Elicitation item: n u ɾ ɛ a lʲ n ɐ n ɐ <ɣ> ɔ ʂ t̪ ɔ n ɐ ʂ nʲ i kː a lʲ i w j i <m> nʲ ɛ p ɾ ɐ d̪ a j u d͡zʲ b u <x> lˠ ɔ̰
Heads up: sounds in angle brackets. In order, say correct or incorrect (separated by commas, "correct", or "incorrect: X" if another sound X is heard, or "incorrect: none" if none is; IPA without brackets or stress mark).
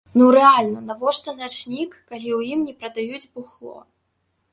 incorrect: v, correct, correct